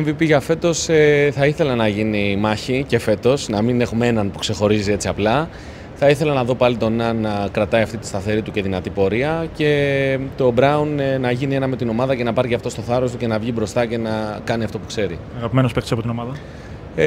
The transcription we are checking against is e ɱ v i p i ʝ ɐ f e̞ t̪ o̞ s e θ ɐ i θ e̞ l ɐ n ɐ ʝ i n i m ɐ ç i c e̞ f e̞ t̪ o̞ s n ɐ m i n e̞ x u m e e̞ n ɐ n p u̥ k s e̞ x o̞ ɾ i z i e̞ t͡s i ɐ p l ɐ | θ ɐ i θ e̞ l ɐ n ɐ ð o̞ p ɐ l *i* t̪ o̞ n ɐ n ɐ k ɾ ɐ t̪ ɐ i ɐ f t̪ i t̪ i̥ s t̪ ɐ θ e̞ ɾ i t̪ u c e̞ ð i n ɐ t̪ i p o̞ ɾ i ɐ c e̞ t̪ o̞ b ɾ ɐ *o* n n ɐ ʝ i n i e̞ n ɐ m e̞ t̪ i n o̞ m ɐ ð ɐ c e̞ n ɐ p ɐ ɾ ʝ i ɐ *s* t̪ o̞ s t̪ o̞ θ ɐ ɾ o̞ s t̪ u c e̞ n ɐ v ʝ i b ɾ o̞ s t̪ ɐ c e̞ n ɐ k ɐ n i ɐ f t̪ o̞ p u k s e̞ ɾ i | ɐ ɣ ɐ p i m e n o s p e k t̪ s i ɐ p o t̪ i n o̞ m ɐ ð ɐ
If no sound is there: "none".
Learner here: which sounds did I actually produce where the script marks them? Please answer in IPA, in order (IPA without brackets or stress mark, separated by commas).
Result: i, u, f